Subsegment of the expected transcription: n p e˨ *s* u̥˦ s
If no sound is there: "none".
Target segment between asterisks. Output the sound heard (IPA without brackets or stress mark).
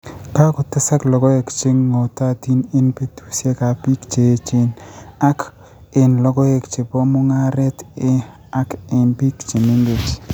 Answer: t